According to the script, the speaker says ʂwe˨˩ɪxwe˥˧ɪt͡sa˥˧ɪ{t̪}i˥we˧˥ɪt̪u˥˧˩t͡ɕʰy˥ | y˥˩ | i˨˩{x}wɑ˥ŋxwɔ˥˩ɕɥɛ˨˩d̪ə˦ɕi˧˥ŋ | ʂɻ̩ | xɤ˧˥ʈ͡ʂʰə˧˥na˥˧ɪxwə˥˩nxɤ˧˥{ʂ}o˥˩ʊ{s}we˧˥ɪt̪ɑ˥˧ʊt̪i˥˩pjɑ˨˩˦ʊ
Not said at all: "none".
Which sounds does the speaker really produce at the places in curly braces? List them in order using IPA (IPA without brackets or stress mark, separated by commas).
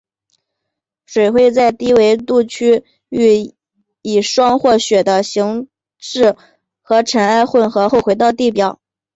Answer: t̪, ʂ, x, x